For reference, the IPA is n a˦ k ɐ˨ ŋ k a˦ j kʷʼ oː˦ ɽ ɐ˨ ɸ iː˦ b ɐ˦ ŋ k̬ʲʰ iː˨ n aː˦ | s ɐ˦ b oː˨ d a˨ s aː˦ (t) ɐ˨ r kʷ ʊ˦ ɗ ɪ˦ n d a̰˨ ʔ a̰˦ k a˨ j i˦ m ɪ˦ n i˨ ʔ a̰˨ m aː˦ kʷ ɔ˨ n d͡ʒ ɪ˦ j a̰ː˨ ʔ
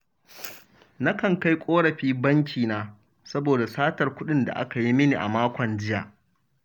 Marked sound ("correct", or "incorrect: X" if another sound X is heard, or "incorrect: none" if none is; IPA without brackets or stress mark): correct